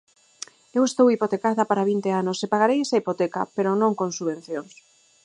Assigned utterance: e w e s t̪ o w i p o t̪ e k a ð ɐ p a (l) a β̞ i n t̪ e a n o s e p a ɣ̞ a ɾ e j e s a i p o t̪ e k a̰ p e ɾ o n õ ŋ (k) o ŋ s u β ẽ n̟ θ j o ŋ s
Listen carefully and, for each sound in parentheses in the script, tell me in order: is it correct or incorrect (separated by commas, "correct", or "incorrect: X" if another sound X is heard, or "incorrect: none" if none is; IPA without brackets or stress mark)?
incorrect: ɾ, correct